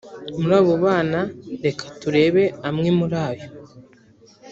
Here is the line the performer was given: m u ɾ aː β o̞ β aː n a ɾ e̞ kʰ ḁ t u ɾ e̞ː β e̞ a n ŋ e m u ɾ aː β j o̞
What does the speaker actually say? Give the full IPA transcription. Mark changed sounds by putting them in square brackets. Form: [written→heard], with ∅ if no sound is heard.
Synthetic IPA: m u ɾ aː β o̞ β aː n a ɾ e̞ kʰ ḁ t u ɾ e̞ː β e̞ a [n→m] ŋ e m u ɾ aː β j o̞